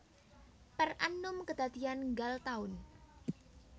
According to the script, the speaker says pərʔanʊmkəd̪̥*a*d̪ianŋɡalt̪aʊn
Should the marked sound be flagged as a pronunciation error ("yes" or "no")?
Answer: no